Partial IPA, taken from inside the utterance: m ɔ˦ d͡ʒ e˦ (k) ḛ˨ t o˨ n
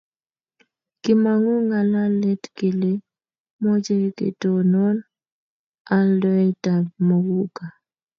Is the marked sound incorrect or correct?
correct